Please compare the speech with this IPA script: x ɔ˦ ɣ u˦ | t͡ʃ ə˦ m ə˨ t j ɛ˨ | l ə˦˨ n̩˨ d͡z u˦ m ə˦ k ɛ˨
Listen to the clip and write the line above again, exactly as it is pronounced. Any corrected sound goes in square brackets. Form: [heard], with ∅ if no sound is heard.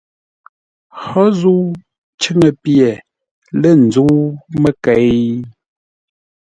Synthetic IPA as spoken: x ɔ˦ [z] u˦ | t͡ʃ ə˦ [ŋ] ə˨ [p] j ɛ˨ | l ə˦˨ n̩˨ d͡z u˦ m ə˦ k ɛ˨